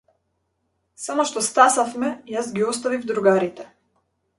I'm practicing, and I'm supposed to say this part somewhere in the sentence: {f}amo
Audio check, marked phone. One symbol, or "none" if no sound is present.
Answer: s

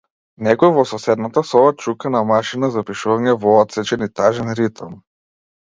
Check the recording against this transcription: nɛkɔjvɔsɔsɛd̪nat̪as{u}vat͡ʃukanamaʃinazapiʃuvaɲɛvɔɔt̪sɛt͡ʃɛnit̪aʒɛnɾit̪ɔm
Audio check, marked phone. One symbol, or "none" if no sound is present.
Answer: ɔ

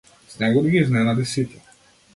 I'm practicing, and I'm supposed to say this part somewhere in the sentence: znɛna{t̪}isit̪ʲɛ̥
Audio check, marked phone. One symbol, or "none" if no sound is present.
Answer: d̪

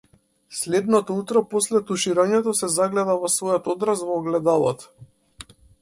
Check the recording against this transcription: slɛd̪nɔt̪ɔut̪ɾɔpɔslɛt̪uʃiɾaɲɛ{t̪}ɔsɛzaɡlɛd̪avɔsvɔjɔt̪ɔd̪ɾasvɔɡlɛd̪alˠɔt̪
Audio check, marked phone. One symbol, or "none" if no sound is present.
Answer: t̪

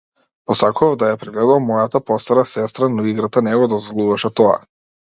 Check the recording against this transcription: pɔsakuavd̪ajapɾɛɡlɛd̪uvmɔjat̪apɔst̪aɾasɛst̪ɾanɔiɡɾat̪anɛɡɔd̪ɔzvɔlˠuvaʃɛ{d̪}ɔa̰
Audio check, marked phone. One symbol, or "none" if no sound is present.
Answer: t̪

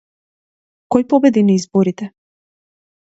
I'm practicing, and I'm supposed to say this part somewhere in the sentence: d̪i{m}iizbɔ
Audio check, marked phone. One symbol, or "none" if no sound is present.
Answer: n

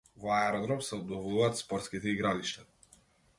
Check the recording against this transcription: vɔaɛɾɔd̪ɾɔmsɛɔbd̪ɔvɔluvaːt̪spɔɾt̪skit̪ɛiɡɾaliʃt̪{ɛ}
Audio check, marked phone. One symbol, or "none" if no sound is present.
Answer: a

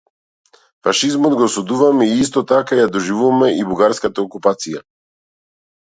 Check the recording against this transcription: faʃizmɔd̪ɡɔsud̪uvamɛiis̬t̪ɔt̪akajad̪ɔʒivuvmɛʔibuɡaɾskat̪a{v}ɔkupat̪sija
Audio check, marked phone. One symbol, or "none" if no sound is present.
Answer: none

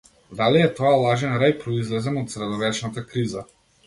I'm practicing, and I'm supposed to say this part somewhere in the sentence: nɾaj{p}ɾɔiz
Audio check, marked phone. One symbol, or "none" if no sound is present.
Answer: p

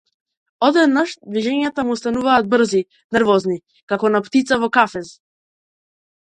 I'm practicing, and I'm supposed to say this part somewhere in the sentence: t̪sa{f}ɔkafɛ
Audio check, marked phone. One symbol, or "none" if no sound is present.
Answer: v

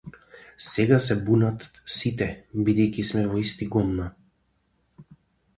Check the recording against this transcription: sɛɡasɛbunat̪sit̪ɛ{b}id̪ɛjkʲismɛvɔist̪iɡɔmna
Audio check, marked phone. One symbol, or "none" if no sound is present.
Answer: b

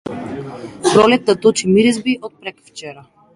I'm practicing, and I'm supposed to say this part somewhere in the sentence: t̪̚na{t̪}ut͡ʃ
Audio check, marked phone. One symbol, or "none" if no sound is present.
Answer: t̪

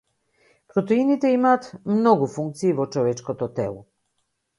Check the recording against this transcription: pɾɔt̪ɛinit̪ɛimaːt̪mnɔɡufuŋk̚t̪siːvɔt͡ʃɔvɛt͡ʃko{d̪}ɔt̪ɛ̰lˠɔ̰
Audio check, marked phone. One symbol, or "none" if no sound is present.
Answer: t̪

